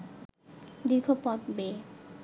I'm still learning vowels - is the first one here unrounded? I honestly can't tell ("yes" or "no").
yes